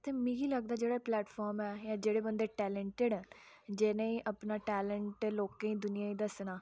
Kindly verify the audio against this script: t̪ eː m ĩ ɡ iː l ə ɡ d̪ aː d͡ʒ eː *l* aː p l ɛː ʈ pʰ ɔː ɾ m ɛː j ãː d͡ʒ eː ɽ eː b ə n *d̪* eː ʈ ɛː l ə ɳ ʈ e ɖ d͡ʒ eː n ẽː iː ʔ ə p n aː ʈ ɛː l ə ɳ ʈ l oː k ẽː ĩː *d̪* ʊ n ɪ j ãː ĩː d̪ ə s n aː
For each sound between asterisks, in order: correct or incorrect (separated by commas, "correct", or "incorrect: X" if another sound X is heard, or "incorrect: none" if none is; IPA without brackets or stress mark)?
incorrect: ɽ, correct, correct